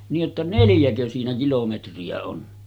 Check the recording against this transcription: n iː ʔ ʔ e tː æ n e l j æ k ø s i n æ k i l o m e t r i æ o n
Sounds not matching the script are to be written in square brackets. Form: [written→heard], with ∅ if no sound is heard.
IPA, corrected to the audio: n iː ʔ ʔ e tː æ n e l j æ k ø s [i→iː] n æ k i l o m e t r i æ o n